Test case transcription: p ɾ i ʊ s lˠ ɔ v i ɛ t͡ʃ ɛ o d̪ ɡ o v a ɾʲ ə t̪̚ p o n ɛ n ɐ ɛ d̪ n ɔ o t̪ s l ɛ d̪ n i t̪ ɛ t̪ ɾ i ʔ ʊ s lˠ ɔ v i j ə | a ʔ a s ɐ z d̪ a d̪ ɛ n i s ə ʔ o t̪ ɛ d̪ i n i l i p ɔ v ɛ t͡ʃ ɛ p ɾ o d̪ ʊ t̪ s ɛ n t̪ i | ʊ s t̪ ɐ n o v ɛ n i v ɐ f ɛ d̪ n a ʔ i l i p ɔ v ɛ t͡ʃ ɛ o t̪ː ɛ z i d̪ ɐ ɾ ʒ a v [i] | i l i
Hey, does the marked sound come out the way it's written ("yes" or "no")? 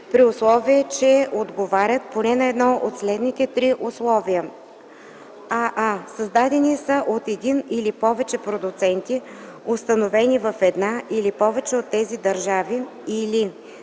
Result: yes